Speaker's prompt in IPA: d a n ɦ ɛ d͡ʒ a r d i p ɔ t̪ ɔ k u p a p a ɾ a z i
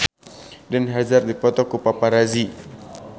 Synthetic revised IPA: d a n ɦ a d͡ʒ a r d i p ɔ t̪ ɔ k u p a p a ɾ a z i